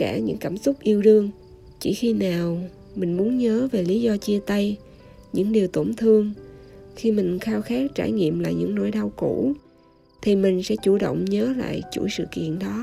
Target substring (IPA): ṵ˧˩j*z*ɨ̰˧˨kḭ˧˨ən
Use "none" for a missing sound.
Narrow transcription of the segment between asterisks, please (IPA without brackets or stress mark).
s